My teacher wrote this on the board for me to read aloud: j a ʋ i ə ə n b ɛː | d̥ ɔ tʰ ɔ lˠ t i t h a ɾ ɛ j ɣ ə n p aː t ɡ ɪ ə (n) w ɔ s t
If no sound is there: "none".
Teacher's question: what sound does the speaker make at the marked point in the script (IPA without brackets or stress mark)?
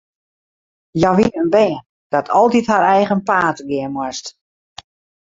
m